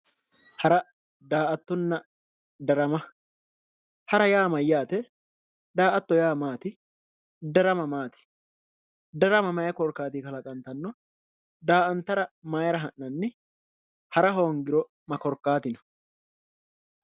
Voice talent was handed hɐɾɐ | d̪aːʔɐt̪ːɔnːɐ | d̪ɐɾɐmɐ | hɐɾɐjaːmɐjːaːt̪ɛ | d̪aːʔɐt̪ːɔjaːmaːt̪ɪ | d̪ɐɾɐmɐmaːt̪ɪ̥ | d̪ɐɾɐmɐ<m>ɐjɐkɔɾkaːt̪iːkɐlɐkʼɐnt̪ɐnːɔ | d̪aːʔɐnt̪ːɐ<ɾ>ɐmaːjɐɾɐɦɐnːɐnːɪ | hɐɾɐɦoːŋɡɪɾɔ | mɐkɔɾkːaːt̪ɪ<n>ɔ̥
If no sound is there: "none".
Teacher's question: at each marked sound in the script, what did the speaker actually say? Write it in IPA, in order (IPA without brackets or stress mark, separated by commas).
m, ɾ, n